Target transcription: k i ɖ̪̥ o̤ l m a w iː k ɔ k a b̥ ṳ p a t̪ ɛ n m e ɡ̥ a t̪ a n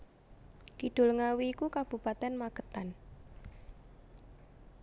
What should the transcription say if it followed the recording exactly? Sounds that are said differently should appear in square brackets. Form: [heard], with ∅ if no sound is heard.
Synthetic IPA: k i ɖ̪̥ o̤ l [ŋ] a w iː k [u] k a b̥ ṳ p a t̪ ɛ n m [a] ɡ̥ [ə] t̪ a n